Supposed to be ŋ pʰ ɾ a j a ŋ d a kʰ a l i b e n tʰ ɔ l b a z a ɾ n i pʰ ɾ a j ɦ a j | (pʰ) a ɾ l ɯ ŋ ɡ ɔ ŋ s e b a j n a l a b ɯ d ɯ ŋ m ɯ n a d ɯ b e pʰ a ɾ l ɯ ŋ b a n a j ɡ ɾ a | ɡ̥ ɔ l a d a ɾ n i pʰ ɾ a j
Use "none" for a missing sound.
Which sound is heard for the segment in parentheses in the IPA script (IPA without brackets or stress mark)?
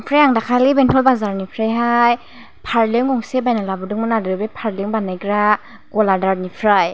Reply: pʰ